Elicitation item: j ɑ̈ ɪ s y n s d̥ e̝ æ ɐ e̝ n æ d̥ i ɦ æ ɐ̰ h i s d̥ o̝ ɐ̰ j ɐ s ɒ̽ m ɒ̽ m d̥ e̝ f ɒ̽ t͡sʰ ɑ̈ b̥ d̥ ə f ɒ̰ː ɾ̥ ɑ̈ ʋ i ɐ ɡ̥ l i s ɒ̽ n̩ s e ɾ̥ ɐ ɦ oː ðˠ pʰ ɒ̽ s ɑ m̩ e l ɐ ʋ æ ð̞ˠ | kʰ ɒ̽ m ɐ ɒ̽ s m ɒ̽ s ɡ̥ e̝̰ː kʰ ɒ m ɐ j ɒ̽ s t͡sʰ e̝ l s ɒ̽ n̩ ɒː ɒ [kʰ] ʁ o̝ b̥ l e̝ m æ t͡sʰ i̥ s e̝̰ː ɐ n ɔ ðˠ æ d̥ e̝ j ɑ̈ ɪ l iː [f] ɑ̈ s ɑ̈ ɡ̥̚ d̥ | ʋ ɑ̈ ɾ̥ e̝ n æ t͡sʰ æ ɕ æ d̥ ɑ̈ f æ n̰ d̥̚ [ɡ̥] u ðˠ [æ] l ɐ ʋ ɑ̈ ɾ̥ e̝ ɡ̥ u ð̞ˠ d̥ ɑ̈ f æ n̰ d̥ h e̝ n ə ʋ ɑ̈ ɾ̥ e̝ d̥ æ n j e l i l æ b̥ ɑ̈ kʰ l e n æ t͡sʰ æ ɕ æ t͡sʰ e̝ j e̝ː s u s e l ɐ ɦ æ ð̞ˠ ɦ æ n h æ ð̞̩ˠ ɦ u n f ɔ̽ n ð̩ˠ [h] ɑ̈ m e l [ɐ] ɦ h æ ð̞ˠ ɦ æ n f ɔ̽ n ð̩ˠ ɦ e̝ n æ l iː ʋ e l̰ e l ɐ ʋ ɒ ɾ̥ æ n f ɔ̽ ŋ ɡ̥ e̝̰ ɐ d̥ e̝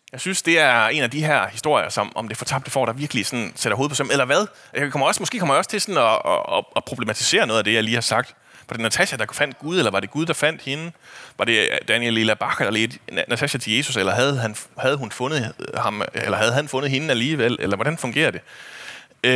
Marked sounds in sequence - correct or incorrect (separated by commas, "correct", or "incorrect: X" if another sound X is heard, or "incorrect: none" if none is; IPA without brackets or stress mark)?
incorrect: pʰ, incorrect: h, correct, incorrect: e, correct, correct